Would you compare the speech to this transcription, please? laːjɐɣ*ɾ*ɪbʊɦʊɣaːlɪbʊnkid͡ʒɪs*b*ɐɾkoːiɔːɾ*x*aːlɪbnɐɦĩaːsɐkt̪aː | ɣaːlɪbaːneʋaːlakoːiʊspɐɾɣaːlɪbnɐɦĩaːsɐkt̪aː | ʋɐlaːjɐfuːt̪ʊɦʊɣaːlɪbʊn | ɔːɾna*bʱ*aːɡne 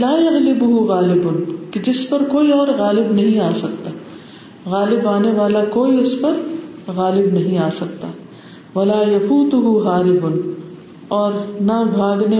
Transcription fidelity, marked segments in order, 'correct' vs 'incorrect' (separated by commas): incorrect, incorrect, incorrect, correct